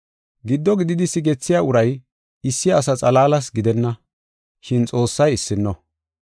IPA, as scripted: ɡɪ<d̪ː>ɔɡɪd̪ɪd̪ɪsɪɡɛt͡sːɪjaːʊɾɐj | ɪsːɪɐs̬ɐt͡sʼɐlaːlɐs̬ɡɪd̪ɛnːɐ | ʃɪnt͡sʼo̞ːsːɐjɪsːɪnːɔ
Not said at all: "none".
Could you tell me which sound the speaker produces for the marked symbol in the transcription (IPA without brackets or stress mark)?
d̪ː